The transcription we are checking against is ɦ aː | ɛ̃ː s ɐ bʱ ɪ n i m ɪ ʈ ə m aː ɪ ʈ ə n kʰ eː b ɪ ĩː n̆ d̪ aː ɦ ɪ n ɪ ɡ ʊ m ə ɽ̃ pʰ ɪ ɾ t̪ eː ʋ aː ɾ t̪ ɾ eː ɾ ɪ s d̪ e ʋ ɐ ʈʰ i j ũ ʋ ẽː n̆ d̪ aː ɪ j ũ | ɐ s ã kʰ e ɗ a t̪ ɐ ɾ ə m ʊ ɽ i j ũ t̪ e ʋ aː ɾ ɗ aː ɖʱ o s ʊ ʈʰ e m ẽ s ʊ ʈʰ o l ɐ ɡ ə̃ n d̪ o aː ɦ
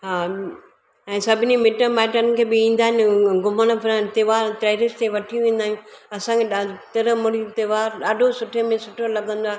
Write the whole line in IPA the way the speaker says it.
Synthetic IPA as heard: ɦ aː | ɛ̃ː s ɐ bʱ ɪ n i m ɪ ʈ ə m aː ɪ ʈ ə n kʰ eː b ɪ ĩː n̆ d̪ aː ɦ ɪ n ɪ ɡ ʊ m ə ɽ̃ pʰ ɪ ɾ t̪ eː ʋ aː ɾ t̪ ɾ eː ɾ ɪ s t̪ e ʋ ɐ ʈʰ i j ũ ʋ ẽː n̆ d̪ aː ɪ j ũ | ɐ s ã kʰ e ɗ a t̪ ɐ ɾ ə m ʊ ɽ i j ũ t̪ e ʋ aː ɾ ɗ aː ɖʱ o s ʊ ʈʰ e m ẽ s ʊ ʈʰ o l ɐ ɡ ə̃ n d̪ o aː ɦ